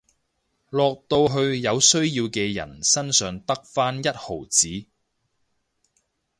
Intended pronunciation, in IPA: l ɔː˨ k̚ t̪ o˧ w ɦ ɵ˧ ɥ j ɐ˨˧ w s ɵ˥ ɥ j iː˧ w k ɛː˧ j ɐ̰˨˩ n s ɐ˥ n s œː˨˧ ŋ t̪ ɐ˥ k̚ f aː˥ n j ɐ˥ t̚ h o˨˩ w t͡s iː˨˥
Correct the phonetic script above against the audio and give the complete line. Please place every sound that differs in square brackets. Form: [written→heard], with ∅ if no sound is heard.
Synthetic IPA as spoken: l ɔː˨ k̚ t̪ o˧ w ɦ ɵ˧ ɥ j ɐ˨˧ w s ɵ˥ ɥ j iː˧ w k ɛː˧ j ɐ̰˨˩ n s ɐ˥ n s œː˨˧ ŋ t̪ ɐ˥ k̚ f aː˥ n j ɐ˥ t̚ h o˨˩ w t͡s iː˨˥